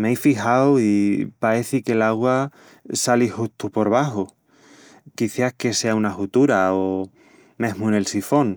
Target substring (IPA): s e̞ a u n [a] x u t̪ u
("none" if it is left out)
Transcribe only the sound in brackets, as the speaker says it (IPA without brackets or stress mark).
a